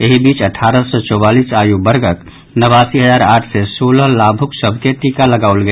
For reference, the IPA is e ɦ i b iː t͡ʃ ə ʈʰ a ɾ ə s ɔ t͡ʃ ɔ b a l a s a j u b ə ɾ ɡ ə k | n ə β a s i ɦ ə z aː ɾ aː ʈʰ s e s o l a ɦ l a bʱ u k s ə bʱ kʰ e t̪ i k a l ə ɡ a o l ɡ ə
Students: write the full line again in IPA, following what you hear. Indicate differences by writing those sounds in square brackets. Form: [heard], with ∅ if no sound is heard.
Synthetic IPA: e ɦ i b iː t͡ʃ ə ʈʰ a ɾ ə s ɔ t͡ʃ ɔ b a l [i] s a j u b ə ɾ ɡ ə k | n ə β a s i ɦ ə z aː ɾ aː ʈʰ s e s o l [ə] ɦ l a bʱ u k s ə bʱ [k] e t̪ i k a l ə ɡ a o l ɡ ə